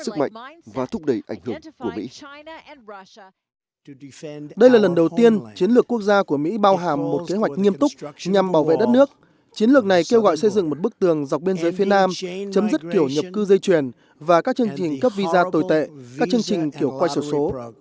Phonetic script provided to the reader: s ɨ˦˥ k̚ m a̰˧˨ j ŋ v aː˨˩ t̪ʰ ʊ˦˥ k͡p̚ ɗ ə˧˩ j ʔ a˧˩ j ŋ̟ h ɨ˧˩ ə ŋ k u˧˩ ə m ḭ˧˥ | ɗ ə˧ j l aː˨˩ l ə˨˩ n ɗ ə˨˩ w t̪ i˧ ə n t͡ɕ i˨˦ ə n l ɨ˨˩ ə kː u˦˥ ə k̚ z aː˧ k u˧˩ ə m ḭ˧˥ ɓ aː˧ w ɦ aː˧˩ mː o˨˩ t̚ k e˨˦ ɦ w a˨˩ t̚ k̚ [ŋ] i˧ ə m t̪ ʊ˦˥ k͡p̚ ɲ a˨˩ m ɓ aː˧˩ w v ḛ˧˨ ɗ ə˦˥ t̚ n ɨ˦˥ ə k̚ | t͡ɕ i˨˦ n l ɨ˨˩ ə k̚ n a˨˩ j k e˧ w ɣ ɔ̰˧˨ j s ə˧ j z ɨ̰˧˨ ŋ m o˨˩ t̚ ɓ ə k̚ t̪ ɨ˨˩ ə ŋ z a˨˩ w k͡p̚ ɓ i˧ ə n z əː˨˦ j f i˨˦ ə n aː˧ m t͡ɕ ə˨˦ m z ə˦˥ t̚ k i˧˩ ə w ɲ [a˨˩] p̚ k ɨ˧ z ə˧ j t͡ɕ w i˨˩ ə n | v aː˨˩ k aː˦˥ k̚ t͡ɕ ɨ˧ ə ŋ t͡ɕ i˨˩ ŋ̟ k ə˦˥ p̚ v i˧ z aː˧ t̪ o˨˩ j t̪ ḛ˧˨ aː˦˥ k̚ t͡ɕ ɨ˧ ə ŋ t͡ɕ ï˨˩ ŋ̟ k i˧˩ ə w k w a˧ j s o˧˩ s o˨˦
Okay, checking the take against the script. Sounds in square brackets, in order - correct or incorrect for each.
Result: correct, incorrect

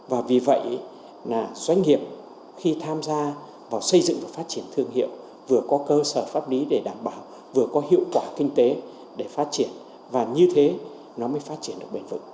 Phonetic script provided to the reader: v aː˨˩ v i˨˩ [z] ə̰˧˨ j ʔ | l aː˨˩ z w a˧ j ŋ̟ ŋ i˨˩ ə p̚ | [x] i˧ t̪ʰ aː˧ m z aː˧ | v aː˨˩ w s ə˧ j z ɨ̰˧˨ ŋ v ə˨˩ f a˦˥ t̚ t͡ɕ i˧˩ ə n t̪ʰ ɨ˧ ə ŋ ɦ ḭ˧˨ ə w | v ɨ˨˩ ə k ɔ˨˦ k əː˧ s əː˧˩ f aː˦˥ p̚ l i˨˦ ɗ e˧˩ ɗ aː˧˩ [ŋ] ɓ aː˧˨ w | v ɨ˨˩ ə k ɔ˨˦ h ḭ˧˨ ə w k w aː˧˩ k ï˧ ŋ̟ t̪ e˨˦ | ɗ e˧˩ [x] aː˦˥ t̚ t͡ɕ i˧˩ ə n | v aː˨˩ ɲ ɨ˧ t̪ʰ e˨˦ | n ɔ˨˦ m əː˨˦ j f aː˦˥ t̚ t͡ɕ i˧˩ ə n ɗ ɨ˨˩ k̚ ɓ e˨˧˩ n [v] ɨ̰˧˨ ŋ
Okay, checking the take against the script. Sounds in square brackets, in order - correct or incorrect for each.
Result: incorrect, correct, incorrect, incorrect, correct

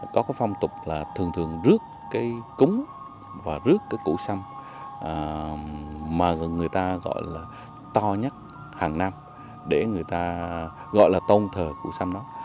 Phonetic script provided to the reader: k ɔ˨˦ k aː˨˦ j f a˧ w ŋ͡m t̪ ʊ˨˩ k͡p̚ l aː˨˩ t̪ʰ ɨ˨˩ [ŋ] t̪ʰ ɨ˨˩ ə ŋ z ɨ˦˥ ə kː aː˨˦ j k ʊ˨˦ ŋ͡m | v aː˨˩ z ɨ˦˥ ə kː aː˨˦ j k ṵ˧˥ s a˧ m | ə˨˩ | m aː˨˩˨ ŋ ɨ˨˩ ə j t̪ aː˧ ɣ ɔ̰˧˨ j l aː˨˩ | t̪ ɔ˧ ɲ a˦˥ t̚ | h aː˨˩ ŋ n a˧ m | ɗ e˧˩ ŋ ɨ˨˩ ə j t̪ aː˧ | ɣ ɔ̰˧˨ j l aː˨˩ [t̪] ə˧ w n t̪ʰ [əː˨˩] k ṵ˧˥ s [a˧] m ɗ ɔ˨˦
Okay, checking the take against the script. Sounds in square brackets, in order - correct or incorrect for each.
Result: correct, correct, correct, correct

